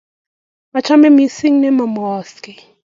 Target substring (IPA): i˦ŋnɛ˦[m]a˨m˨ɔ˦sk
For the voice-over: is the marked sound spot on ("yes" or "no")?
yes